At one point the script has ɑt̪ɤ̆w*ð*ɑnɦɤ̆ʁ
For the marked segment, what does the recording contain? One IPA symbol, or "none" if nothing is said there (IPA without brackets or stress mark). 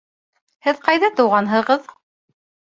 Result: ʁ